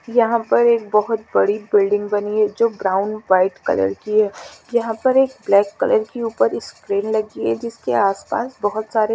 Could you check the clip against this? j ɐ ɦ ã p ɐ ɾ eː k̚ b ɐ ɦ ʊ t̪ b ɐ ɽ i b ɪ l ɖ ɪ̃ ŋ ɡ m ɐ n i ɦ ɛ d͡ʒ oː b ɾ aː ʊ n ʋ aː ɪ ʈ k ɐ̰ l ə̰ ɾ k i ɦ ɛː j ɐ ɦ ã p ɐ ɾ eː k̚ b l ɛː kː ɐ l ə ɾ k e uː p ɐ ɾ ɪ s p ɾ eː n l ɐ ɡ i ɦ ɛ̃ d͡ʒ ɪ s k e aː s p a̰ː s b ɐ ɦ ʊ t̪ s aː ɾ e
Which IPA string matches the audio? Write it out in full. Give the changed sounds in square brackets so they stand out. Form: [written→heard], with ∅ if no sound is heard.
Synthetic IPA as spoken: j ɐ ɦ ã p ɐ ɾ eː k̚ b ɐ ɦ ʊ t̪ b ɐ ɽ i b ɪ l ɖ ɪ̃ ŋ ɡ [m→b] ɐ n i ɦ ɛ d͡ʒ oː b ɾ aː ʊ n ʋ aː ɪ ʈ k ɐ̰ l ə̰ ɾ k i ɦ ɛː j ɐ ɦ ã p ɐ ɾ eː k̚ b l ɛː kː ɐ l ə ɾ k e uː p [ɐ→ə] ɾ ɪ s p ɾ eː n l ɐ ɡ i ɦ [ɛ̃→ɛ] d͡ʒ ɪ s k e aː s p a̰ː s b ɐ ɦ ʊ t̪ s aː ɾ e